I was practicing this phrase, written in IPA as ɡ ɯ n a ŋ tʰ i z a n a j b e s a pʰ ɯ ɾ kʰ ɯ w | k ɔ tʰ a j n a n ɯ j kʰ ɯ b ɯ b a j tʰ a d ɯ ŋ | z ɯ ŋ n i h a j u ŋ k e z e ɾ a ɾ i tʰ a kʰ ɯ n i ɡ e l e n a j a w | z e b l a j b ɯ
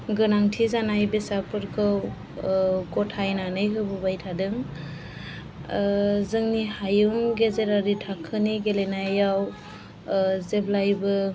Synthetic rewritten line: ɡ ɯ n a ŋ tʰ i z a n a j b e s a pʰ ɯ ɾ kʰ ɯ w | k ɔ tʰ a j n a n ɯ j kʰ ɯ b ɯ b a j tʰ a d ɯ ŋ | z ɯ ŋ n i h a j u ŋ ɡ e z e ɾ a ɾ i tʰ a kʰ ɯ n i ɡ e l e n a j a w | z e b l a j b ɯ